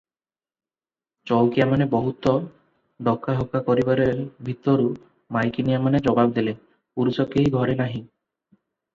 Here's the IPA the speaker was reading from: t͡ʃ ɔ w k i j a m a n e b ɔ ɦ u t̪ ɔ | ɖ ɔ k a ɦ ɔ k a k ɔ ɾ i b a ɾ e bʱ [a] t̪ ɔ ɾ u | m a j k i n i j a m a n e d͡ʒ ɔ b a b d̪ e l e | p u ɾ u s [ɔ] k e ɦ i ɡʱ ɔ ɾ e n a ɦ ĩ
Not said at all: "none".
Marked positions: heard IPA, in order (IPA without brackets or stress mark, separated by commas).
i, ɔ